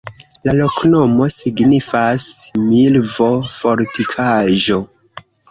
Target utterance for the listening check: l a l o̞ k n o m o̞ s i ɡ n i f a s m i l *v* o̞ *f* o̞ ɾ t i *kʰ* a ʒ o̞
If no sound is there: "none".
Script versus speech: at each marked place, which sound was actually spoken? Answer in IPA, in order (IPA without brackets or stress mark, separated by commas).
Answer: v, f, kʰ